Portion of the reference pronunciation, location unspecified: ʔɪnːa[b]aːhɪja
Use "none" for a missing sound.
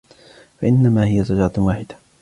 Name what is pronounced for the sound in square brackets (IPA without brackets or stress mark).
m